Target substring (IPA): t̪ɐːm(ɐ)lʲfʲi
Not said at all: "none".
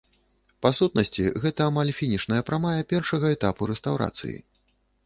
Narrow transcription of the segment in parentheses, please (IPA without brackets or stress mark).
a